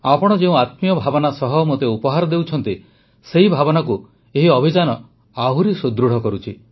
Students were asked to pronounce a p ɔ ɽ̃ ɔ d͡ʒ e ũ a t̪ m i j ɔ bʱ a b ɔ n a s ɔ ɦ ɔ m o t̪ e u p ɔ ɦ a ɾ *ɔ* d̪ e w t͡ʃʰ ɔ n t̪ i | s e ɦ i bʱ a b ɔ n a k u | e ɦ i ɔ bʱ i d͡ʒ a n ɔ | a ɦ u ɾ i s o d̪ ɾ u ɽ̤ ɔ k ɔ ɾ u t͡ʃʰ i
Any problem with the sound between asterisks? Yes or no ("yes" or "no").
no